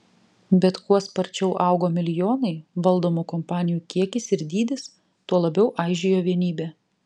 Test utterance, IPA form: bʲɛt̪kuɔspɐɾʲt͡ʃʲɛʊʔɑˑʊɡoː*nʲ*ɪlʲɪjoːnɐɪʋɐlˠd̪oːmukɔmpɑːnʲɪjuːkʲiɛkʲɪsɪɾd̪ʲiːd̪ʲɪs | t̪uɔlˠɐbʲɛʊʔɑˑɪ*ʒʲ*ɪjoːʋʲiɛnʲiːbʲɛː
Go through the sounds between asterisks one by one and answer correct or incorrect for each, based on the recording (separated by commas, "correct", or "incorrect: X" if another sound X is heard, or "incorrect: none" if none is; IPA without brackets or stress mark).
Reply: incorrect: mʲ, correct